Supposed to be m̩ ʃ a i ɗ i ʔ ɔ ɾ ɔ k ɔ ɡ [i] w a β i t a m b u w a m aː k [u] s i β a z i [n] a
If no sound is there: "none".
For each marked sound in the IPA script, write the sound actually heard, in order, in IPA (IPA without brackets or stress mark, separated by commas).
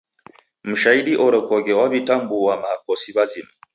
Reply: ɛ, ɔ, m